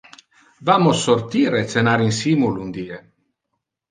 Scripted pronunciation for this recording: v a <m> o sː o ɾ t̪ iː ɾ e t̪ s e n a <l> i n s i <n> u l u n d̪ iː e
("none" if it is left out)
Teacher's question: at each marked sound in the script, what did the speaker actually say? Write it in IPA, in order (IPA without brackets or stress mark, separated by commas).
m, ɾ, m